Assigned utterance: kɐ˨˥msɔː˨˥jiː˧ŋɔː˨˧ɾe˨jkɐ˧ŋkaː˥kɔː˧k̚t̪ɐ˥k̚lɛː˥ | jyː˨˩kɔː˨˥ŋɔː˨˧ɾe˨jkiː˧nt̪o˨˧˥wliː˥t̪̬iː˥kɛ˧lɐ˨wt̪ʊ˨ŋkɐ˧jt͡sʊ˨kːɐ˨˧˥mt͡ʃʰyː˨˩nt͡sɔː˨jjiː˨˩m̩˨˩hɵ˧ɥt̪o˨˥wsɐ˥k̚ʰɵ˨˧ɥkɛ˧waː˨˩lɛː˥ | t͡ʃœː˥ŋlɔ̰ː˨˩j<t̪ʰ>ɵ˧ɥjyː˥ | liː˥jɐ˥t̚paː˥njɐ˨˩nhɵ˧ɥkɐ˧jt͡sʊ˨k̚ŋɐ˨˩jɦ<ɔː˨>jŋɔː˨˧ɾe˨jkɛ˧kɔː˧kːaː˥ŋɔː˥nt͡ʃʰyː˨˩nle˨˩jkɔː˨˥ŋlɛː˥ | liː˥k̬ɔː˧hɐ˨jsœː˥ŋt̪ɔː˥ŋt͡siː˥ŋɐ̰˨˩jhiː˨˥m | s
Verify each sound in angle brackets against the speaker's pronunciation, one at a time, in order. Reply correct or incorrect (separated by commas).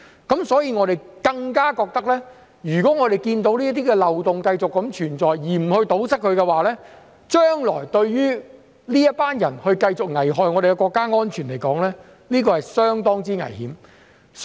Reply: incorrect, correct